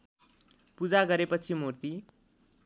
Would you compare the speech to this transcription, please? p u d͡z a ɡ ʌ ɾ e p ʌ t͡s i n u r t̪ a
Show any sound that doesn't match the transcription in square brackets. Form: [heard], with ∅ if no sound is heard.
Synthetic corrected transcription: p u d͡z a ɡ ʌ ɾ e p ʌ [t͡sʰ] i [m] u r t̪ [i]